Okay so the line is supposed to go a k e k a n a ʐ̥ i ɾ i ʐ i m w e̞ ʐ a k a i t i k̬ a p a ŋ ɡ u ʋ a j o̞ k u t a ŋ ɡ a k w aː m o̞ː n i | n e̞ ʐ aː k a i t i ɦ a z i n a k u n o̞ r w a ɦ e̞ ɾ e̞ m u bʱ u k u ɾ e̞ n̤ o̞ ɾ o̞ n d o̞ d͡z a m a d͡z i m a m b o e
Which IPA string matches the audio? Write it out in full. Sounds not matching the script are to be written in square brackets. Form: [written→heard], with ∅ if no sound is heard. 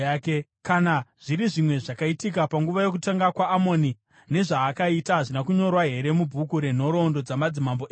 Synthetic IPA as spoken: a k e k a n a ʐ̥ i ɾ i ʐ i m w e̞ ʐ a k a i t i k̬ a p a ŋ ɡ u ʋ a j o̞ k u t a ŋ ɡ a k w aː m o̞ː n i | n e̞ ʐ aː k a i t [i→a] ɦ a [z→ʐ] i n a k u [n→ɲ] o̞ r w a ɦ e̞ ɾ e̞ m u bʱ u k u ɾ e̞ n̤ o̞ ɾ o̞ n d o̞ d͡z a m a d͡z i m a m b o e